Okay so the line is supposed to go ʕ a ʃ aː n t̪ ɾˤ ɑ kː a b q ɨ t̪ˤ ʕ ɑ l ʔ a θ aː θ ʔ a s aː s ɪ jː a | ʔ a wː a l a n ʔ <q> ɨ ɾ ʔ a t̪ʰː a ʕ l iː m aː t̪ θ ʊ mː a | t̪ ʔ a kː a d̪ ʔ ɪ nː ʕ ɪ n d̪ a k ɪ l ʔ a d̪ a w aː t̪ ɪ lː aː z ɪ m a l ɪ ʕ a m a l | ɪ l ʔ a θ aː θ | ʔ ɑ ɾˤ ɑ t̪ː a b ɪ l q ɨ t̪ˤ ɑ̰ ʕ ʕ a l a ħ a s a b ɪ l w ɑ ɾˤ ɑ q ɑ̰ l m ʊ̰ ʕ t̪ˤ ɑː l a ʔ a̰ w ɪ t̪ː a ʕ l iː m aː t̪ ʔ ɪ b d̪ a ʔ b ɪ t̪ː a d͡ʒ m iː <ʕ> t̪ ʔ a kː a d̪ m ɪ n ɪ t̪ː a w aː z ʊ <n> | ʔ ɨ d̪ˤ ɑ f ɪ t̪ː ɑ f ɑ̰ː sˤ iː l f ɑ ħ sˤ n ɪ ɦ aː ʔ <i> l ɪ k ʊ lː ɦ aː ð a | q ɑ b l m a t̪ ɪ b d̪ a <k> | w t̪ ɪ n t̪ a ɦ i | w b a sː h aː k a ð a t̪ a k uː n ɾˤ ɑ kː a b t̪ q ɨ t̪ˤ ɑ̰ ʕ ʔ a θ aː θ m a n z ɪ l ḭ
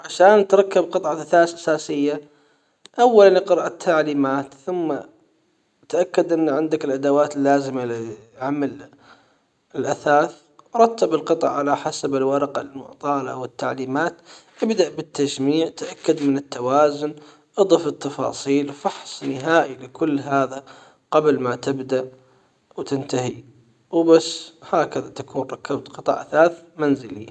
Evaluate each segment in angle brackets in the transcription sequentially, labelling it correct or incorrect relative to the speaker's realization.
correct, correct, correct, correct, incorrect: ʔ

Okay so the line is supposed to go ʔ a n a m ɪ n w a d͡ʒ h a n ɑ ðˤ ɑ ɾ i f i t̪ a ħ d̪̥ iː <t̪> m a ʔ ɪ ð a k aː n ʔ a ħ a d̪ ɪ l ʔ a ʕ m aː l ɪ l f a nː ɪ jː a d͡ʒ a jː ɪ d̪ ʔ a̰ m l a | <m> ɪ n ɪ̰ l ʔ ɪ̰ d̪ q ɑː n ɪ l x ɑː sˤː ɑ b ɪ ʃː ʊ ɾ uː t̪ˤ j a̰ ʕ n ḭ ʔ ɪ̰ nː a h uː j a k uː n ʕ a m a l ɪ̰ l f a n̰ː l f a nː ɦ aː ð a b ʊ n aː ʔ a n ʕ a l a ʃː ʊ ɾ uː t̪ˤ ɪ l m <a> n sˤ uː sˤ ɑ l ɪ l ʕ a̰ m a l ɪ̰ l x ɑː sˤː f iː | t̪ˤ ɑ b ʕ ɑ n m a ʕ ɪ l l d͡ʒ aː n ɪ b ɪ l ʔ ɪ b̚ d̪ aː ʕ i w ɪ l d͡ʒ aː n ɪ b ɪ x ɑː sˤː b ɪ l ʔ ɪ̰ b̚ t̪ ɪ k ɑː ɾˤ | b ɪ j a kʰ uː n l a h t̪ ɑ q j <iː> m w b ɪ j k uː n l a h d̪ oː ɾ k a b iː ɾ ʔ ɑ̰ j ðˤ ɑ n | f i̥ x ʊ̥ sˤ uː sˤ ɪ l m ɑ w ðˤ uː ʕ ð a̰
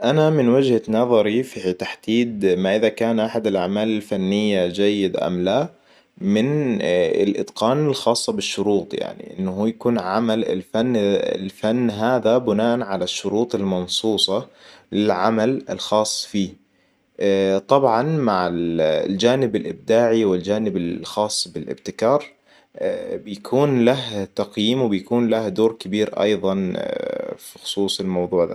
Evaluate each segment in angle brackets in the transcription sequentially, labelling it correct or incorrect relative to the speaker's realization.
incorrect: d̪, correct, incorrect: ɑ, correct

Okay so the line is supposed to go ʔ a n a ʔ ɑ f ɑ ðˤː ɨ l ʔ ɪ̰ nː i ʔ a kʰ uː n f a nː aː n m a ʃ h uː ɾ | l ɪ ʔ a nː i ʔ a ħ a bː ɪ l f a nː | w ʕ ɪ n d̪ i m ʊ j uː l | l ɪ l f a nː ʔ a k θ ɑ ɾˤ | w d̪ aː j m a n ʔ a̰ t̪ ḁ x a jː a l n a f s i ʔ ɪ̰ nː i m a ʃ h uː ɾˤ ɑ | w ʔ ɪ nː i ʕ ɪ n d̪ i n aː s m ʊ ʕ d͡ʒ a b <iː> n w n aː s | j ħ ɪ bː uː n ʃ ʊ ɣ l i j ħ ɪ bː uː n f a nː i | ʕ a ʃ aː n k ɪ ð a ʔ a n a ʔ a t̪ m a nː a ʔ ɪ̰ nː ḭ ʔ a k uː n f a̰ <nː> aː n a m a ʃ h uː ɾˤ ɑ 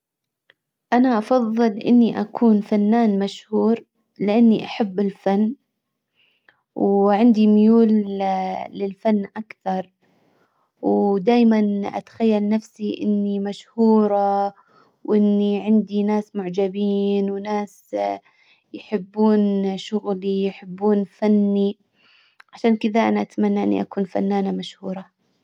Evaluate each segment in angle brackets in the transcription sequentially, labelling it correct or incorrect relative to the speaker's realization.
correct, correct

